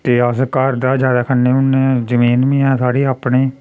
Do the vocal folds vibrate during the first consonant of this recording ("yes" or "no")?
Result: no